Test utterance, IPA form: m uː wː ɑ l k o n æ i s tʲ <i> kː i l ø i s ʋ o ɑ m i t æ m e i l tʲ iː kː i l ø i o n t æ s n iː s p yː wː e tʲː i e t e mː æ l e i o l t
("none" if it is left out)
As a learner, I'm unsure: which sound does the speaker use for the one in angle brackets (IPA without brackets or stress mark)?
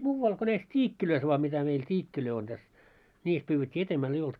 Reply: iː